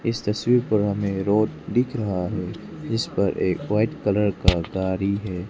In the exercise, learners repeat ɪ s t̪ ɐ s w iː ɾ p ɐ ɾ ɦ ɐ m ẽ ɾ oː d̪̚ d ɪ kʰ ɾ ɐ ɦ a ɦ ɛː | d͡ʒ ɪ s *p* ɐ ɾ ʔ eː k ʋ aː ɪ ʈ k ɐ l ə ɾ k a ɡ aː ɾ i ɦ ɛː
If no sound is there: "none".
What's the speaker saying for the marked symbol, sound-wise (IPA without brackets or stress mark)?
p